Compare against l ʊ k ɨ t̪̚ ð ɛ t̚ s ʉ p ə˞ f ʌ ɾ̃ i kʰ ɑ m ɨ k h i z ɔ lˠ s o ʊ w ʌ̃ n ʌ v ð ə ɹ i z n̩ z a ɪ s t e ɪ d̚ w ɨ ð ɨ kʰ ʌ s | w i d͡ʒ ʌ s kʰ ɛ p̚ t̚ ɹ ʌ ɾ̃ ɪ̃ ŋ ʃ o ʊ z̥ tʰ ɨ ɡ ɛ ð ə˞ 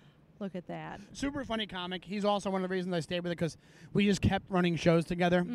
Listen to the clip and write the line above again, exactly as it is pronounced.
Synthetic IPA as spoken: l ʊ k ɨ t̪̚ ð æ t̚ s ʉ p ə˞ f ʌ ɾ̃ i kʰ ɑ m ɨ k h i z ɔ lˠ s o ʊ w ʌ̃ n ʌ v ð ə ɹ i z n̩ z a ɪ s t e ɪ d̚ w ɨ ð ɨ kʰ ʌ z | w i d͡ʒ ʌ s kʰ ɛ p̚ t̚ ɹ ʌ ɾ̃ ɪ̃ ŋ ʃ o ʊ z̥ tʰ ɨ ɡ ɛ ð ə˞

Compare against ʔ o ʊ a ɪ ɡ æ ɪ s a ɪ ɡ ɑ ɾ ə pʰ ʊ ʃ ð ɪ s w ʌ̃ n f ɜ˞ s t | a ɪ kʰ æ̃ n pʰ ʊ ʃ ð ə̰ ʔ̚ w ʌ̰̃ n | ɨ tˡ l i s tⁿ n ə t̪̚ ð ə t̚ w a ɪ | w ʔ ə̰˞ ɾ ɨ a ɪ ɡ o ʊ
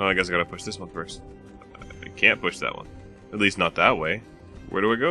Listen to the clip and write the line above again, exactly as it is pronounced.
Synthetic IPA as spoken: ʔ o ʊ a ɪ ɡ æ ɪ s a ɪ ɡ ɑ ɾ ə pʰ ʊ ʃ ð ɪ s w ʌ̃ n f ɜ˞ s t | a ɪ kʰ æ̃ n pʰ ʊ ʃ ð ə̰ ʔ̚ w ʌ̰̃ n | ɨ tˡ l i s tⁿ n ə t̪̚ ð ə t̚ w e ɪ | w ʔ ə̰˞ ɾ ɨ a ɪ ɡ o ʊ

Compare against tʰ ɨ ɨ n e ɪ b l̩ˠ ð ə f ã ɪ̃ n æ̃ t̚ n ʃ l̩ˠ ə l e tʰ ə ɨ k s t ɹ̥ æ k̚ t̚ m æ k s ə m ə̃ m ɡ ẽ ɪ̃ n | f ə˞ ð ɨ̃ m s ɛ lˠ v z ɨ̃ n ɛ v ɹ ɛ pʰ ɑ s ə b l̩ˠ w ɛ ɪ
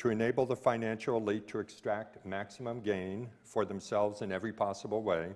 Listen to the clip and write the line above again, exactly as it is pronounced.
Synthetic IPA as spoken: tʰ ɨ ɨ n e ɪ b l̩ˠ ð ə f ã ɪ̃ n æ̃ n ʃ l̩ˠ ə l i tʰ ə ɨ k s t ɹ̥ æ k̚ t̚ m æ k s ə m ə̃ m ɡ ẽ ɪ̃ n | f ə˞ ð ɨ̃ m s ɛ lˠ v z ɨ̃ n ɛ v ɹ i pʰ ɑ s ə b l̩ˠ w e ɪ

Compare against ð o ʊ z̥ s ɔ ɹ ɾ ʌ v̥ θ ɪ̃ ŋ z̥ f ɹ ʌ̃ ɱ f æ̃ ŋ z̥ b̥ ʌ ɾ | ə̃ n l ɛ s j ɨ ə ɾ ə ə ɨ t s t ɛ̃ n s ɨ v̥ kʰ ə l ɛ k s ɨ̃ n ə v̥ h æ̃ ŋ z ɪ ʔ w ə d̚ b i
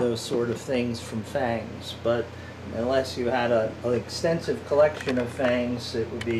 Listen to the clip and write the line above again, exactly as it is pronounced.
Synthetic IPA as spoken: ð o ʊ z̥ s ɔ ɹ ɾ ʌ v̥ θ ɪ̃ ŋ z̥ f ɹ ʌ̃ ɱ f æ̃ ŋ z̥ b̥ ʌ ɾ | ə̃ n l ɛ s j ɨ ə ɾ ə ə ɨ k s t ɛ̃ n s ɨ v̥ kʰ ə l ɛ k ʃ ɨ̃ n ʌ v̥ f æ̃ ŋ z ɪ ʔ w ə d̚ b i

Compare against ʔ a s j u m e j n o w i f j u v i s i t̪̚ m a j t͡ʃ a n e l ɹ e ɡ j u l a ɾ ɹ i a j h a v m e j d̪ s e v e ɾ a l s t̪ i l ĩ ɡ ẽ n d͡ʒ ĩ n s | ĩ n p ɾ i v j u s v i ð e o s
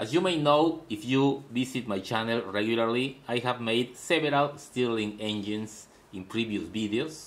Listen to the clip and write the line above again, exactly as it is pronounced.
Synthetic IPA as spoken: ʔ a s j u m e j n o w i f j u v i s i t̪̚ m a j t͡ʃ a n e l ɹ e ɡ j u l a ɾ l i a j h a v m e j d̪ s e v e ɾ a l s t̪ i l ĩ ŋ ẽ n d͡ʒ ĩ n s | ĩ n p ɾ i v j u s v i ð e o s

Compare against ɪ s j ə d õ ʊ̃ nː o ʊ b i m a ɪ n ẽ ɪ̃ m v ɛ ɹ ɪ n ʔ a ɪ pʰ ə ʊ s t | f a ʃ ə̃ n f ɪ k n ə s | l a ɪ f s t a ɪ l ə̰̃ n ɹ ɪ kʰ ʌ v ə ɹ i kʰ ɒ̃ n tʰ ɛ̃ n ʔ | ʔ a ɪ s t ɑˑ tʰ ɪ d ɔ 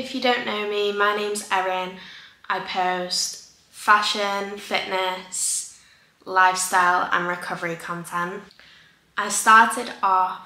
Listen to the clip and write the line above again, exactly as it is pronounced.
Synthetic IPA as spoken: ɪ f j ə d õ ʊ̃ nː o ʊ m i m a ɪ n ẽ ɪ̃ m z ɛ ɹ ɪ n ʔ a ɪ pʰ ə ʊ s t | f a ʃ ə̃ n f ɪ ʔ n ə s | l a ɪ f s t a ɪ l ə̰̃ n ɹ ɪ kʰ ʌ v ə ɹ i kʰ ɒ̃ n tʰ ɛ̃ n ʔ | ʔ a ɪ s t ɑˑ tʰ ɪ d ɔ

